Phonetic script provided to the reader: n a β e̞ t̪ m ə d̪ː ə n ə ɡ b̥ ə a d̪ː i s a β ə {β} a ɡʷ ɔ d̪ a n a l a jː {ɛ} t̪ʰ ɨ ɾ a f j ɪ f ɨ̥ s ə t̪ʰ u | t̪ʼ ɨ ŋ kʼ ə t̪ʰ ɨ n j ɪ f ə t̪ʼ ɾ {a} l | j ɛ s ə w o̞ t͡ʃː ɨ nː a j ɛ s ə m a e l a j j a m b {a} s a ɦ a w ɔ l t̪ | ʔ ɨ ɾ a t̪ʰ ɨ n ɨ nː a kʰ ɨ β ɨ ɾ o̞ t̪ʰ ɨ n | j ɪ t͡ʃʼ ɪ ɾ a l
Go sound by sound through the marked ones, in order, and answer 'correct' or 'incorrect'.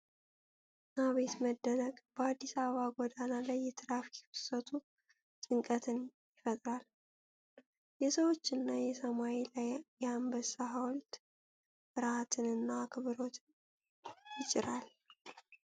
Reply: correct, correct, correct, incorrect: ə

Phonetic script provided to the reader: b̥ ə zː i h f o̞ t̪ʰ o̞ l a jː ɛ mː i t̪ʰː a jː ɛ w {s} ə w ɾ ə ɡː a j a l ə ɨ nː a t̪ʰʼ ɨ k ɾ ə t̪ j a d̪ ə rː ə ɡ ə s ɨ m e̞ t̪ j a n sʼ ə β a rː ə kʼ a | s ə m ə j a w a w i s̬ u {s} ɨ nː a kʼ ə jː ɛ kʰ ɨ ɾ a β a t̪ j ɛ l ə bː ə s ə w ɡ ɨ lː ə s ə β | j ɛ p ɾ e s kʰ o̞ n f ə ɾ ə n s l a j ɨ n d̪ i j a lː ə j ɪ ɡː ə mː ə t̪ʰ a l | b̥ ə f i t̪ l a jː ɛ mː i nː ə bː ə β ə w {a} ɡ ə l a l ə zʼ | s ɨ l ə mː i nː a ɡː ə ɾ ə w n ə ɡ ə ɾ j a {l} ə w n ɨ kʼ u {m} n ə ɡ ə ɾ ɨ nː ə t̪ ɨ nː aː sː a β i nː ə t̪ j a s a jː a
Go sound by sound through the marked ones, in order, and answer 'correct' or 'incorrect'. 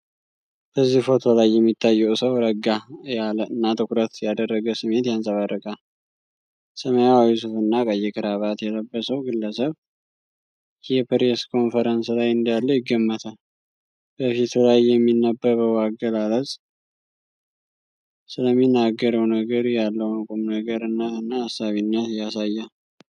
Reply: correct, incorrect: f, correct, incorrect: lː, correct

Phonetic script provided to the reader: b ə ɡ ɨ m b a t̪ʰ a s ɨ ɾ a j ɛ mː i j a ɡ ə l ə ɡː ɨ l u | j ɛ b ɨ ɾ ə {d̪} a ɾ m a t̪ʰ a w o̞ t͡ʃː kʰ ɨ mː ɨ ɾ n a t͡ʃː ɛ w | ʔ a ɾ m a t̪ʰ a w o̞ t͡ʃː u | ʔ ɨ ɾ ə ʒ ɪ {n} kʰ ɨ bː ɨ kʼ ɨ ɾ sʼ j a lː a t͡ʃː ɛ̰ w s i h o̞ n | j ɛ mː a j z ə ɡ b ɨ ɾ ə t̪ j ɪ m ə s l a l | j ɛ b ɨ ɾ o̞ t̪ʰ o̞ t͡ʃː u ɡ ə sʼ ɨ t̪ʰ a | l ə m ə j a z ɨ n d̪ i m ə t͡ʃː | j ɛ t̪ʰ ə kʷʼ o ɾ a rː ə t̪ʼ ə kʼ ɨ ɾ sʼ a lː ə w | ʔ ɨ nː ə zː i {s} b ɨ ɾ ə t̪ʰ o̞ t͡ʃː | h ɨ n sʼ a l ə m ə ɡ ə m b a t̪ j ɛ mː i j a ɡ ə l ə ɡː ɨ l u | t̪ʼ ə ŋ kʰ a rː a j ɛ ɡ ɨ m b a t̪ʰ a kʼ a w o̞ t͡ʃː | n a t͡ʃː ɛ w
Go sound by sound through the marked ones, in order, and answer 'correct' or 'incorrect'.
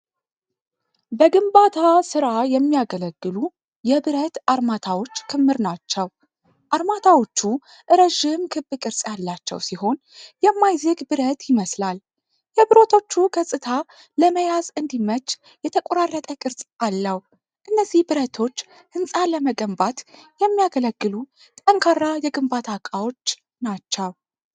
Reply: incorrect: t̪, incorrect: m, incorrect: h

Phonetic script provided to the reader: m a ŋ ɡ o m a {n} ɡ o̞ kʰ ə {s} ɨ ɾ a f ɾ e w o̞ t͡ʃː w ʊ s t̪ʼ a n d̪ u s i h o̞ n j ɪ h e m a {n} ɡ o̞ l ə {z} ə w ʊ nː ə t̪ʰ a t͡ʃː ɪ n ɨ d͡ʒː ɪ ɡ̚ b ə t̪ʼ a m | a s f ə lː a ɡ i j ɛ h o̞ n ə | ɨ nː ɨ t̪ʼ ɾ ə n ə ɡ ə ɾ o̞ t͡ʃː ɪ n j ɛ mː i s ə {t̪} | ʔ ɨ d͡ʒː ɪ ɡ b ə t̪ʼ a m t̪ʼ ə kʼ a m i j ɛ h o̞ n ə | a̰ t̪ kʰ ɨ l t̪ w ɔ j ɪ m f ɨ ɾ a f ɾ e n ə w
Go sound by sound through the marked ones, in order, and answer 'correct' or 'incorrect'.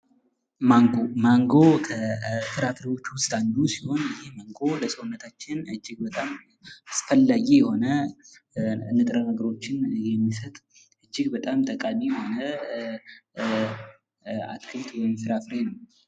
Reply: incorrect: ŋ, incorrect: f, incorrect: ŋ, incorrect: s, incorrect: t̪ʼ

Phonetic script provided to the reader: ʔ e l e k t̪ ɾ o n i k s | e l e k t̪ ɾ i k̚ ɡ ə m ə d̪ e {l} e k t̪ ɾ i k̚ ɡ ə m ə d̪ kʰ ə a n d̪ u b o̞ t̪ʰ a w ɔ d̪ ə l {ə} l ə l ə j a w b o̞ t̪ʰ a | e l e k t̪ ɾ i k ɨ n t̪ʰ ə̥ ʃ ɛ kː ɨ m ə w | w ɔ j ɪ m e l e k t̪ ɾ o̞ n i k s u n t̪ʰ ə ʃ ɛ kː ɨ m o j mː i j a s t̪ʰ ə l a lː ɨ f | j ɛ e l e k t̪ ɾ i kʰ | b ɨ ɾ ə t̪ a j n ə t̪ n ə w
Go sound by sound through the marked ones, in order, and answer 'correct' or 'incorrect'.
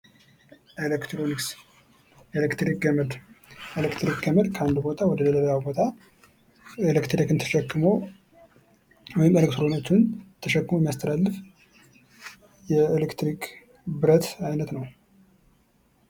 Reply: correct, correct

